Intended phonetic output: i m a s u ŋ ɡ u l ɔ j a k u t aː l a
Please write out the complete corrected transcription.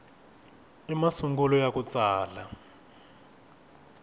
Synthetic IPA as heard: i m a s u ŋ ɡ u l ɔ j a k u t͡s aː l a